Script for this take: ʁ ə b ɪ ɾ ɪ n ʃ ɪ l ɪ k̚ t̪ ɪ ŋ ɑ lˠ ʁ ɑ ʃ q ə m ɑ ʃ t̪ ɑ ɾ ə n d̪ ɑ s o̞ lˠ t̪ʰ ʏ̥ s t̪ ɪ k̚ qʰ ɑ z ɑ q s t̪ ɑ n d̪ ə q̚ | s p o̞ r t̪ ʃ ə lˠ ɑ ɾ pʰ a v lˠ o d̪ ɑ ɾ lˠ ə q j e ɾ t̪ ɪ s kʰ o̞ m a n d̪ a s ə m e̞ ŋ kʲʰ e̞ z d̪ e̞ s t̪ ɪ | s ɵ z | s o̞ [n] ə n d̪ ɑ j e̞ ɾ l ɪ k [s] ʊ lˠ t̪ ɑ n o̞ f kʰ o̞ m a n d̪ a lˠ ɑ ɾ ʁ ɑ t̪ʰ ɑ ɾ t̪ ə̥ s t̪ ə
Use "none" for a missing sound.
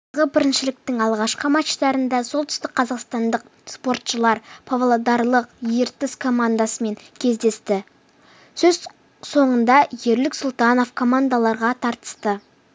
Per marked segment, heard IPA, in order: ɴ, s

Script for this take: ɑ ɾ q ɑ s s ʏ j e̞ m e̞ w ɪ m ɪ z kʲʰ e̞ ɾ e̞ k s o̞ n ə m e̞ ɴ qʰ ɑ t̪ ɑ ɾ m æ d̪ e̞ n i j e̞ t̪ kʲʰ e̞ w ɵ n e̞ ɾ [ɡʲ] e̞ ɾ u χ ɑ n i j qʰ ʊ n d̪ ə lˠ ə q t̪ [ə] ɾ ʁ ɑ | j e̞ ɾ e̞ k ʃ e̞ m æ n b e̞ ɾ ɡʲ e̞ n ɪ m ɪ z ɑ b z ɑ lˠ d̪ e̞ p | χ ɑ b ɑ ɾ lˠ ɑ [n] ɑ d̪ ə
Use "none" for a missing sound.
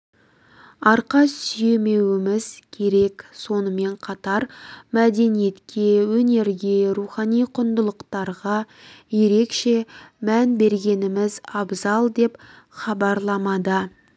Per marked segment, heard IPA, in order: ɡʲ, ɑ, m

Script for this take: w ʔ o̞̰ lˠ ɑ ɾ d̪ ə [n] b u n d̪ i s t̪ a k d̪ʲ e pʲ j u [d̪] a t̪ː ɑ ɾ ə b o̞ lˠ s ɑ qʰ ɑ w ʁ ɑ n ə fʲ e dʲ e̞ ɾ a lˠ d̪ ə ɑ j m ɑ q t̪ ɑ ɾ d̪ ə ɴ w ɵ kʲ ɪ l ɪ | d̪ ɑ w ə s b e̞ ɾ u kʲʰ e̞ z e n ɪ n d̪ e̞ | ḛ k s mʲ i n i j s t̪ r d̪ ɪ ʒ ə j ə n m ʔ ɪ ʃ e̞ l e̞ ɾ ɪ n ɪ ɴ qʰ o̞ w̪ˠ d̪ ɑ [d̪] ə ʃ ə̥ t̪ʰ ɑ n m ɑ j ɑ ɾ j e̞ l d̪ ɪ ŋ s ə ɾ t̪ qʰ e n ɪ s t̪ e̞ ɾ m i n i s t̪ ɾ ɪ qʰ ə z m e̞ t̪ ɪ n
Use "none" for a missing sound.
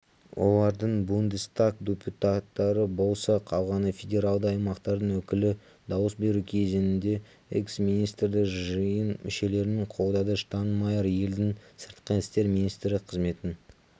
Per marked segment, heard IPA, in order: ɴ, t̪, d̪

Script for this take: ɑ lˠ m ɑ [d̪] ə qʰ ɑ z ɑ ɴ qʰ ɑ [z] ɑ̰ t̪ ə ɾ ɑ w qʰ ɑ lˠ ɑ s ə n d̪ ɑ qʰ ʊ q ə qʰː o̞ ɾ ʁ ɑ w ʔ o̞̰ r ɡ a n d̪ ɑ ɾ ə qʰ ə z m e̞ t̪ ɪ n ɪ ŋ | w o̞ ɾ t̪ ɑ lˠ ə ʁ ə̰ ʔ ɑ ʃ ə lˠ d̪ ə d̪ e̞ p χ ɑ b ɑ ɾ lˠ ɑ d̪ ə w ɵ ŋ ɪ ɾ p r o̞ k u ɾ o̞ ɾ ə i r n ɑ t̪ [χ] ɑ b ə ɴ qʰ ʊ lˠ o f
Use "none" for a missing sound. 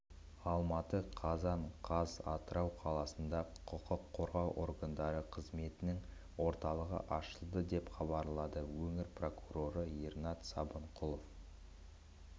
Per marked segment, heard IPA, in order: t̪, z, s

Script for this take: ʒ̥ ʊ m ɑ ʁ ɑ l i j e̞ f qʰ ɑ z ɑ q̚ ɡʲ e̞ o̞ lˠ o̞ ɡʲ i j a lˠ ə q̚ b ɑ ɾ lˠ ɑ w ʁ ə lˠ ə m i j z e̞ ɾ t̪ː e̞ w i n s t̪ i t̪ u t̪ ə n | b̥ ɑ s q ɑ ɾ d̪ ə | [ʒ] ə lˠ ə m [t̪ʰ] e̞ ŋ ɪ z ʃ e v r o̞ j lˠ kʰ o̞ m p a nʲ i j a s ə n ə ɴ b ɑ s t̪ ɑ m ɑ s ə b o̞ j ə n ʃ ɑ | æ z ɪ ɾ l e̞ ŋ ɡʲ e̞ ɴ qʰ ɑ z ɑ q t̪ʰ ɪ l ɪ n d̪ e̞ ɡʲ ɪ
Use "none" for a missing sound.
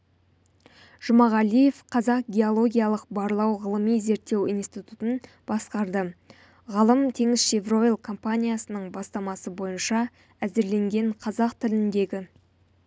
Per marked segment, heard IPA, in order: ʁ, t̪ʰ

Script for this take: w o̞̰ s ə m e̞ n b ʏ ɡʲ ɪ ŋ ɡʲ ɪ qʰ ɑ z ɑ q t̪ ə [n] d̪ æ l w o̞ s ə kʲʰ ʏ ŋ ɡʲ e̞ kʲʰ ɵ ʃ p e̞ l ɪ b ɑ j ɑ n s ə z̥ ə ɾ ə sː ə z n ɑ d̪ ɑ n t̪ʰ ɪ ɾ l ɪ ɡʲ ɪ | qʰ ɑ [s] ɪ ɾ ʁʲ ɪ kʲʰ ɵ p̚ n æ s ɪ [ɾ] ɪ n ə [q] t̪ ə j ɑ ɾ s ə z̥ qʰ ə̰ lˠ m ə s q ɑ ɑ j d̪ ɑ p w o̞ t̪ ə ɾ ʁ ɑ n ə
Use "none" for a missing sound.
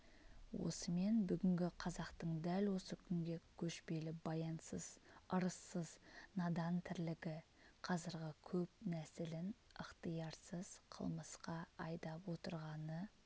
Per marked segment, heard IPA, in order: ɴ, z, l, q

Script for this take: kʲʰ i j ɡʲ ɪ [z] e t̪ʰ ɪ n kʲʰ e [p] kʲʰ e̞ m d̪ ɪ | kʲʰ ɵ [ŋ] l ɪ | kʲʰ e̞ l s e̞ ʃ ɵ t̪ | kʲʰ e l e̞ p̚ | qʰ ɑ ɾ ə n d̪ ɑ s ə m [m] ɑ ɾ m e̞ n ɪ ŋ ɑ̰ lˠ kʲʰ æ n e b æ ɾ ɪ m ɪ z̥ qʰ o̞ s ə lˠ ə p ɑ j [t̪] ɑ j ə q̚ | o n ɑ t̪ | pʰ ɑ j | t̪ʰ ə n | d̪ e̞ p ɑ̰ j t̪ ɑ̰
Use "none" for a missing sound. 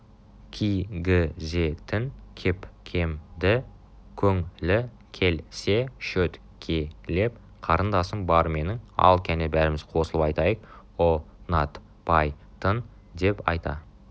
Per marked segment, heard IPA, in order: z, p, ŋ, b, t̪

